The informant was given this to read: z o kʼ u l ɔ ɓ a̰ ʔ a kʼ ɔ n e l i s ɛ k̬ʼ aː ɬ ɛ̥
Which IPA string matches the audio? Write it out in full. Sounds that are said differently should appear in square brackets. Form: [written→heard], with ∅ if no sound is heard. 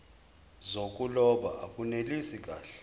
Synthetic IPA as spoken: z o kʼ u l ɔ ɓ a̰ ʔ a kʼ [ɔ→u] n e l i s [ɛ→i] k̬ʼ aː ɬ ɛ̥